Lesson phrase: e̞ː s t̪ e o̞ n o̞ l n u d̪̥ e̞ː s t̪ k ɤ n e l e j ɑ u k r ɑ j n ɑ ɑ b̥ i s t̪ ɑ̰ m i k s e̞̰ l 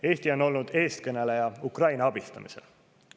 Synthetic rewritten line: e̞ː s t̪ i o̞ n o̞ l n u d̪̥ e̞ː s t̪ k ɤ n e l e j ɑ u k r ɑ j n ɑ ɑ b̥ i s t̪ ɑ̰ m i s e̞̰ l